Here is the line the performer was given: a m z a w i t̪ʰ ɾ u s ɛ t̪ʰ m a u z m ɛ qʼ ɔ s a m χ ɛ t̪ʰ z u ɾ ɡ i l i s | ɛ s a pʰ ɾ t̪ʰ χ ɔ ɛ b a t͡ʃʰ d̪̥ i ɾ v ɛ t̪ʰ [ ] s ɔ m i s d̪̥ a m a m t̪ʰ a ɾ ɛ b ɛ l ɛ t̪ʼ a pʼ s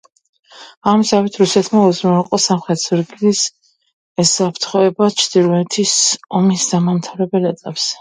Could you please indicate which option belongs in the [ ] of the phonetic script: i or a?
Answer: i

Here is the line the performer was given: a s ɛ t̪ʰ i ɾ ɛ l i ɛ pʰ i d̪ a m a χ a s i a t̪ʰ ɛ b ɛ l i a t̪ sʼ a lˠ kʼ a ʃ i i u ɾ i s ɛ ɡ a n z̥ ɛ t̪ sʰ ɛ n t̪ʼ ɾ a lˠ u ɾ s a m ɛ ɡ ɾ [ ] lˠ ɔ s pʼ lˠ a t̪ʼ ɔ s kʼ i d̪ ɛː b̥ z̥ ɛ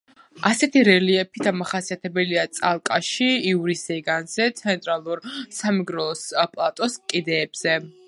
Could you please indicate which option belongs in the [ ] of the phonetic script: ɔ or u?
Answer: ɔ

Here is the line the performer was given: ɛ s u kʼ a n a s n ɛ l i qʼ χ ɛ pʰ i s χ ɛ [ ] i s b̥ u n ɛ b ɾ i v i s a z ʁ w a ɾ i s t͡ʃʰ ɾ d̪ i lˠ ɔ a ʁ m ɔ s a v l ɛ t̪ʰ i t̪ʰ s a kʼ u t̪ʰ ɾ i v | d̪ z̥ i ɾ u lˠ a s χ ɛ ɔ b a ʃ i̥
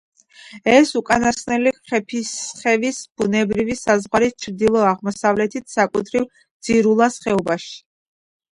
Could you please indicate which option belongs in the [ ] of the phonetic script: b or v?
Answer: v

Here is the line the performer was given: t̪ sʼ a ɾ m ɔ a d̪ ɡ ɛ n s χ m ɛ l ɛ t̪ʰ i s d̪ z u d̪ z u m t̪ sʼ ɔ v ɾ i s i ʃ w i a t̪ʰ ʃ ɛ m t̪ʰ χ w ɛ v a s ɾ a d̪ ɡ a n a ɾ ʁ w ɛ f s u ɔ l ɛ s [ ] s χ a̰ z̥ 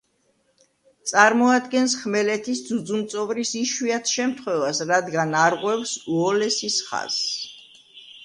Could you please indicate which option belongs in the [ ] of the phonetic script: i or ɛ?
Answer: i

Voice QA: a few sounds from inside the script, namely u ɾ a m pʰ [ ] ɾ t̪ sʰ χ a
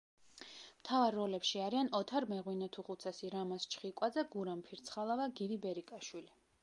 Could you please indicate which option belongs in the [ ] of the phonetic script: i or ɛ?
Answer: i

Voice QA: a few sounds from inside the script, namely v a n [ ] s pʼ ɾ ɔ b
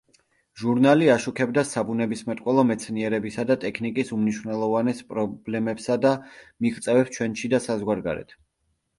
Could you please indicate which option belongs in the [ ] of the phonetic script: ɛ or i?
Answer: ɛ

